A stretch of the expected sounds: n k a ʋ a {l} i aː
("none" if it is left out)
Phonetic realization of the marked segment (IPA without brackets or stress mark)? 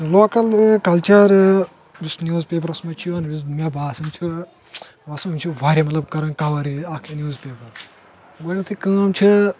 ɾ